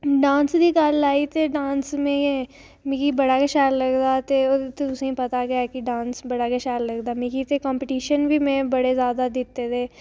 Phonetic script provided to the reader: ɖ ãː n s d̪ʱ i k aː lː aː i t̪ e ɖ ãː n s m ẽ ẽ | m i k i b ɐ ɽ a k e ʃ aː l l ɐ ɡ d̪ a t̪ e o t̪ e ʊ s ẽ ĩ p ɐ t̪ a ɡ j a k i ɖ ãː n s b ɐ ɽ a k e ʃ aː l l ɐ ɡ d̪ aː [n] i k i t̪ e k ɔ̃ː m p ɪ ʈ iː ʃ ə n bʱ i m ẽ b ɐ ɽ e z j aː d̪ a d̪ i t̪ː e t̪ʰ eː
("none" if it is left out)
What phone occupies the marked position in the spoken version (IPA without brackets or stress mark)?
m